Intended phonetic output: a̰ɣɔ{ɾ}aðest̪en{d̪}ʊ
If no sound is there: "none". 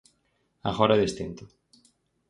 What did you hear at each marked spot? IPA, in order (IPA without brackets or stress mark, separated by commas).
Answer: ɾ, t̪